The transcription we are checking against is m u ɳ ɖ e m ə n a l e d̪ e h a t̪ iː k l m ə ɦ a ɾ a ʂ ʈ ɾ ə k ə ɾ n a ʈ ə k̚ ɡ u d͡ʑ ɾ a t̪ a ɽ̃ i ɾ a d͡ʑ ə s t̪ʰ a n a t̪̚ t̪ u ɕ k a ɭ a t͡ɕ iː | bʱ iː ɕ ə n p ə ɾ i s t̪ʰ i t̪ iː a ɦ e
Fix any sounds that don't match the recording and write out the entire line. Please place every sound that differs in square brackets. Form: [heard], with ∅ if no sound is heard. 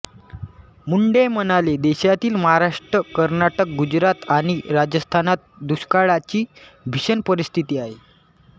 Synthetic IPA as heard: m u ɳ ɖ e m ə n a l e d̪ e [ɕ] a t̪ iː [∅] l m ə ɦ a ɾ a ʂ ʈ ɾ ə k ə ɾ n a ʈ ə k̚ ɡ u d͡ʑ ɾ a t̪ a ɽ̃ i ɾ a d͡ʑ ə s t̪ʰ a n a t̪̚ [d̪] u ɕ k a ɭ a t͡ɕ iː | bʱ [i] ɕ ə n p ə ɾ i s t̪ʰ i t̪ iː a ɦ e